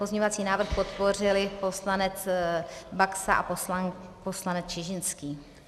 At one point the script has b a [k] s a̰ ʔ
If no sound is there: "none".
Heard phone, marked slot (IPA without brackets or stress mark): k